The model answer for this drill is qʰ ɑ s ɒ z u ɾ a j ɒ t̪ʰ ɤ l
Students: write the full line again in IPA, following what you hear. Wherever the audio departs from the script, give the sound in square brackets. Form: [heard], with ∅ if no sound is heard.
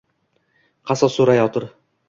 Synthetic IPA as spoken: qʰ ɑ s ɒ [s] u ɾ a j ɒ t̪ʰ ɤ [ɾ]